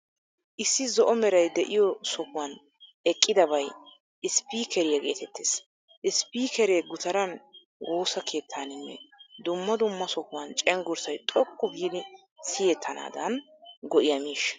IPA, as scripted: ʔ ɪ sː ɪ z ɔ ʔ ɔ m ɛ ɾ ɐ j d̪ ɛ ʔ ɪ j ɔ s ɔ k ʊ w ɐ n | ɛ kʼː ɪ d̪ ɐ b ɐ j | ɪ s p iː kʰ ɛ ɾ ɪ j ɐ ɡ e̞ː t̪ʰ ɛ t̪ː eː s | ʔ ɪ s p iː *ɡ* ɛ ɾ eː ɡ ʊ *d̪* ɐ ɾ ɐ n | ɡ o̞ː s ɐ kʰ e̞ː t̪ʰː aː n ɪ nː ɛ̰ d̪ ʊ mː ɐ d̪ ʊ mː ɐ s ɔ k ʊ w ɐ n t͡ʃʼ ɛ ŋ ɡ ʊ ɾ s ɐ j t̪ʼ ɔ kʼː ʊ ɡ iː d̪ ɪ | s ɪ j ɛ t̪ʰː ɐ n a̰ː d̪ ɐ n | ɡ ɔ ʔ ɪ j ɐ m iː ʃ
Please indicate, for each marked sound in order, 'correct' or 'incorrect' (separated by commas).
incorrect, incorrect